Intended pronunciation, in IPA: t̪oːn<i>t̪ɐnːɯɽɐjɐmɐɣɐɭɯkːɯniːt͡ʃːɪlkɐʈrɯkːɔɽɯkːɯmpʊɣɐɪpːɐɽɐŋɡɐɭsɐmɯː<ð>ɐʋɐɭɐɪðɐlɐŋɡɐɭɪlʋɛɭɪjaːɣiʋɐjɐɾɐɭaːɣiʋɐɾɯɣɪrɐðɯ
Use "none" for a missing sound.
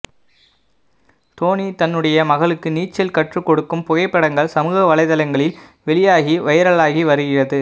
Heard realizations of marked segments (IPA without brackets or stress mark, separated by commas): i, ɣ